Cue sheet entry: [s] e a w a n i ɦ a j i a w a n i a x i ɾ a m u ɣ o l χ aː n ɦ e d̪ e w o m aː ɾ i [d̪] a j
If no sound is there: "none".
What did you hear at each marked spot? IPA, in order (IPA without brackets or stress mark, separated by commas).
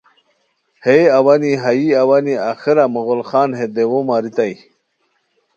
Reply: h, t̪